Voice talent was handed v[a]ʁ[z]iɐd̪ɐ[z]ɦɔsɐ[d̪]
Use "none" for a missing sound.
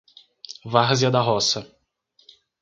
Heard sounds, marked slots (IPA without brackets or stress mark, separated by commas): a, z, none, none